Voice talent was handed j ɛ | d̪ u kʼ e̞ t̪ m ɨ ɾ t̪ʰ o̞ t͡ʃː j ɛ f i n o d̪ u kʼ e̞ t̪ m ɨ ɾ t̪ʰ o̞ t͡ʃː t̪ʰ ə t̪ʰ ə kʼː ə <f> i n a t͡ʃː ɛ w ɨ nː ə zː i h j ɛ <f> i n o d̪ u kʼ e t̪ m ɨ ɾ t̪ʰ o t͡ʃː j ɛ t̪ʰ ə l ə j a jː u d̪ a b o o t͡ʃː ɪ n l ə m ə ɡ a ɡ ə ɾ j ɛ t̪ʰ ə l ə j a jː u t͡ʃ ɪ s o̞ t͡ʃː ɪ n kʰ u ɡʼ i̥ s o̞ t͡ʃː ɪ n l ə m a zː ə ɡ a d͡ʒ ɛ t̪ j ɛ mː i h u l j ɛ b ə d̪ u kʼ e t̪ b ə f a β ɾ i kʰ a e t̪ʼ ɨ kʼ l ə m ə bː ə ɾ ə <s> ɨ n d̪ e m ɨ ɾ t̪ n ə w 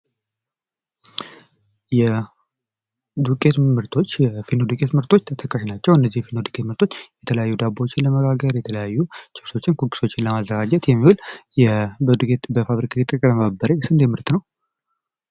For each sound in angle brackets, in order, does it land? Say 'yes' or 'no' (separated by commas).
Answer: no, yes, yes